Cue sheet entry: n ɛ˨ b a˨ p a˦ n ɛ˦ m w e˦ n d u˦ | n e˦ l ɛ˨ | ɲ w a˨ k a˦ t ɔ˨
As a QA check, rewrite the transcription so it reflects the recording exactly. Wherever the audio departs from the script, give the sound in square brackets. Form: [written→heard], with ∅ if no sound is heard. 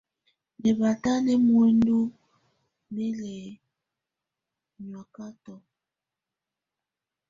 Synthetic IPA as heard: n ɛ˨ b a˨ [p→t] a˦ n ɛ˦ m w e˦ n d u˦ | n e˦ l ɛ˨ | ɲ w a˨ k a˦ t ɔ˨